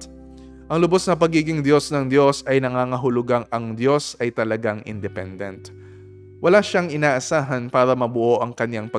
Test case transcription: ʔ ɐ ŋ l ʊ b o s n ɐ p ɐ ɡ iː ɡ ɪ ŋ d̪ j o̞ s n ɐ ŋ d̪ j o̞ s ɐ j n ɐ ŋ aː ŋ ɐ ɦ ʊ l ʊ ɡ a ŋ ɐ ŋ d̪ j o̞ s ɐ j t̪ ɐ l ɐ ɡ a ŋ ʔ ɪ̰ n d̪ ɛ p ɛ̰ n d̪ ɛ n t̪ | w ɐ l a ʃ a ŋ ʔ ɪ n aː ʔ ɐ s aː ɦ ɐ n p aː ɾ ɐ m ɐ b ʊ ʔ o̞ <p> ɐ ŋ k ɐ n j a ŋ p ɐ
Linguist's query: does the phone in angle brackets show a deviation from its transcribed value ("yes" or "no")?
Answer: yes